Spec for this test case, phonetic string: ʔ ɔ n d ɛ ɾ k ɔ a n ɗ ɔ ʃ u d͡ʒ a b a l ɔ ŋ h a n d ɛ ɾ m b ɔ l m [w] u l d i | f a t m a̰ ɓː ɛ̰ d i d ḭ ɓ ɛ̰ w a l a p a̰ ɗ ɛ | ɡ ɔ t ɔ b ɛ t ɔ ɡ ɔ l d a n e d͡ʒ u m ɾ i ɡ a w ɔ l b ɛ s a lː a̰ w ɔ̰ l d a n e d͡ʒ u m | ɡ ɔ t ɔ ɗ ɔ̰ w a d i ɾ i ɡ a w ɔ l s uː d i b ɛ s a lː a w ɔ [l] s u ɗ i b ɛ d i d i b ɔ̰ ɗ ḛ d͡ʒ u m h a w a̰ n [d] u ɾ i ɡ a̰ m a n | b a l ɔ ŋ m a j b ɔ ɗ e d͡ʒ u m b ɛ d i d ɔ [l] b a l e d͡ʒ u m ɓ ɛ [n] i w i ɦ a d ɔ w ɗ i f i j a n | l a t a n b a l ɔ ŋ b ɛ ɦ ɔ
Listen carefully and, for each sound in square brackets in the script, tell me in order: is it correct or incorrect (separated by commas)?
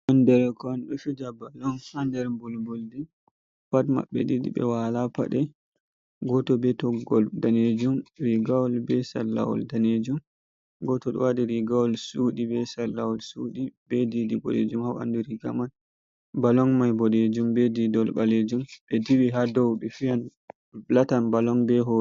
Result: incorrect, correct, correct, correct, incorrect